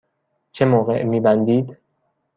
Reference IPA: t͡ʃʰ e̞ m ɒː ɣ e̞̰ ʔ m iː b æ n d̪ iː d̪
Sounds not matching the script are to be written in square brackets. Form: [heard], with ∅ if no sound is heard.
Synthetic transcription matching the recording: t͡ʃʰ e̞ m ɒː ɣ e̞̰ ʔ m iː b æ n d̪ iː d̪